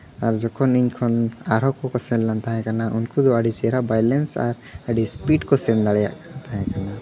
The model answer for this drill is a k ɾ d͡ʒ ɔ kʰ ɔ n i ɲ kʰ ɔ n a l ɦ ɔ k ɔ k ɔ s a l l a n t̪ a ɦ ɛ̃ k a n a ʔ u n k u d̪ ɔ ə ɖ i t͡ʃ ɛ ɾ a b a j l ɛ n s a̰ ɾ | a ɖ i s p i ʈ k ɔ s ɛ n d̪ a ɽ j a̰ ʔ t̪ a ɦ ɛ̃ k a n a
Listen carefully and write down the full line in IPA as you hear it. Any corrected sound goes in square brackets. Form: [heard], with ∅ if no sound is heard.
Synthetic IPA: a [∅] ɾ d͡ʒ ɔ kʰ ɔ n i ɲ kʰ ɔ n a [ɾ] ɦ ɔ k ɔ k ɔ s [ɛ] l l a n t̪ a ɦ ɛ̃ k a n a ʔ u n k u d̪ ɔ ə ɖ i t͡ʃ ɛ ɾ a b a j l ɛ n s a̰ ɾ | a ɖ i s p i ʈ k ɔ s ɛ n d̪ a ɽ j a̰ ʔ t̪ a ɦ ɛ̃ k a n a